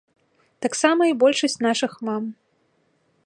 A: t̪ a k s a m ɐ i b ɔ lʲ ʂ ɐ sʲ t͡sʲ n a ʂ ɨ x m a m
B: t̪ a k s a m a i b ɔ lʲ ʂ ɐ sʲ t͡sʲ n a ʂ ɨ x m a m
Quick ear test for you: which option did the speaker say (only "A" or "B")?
A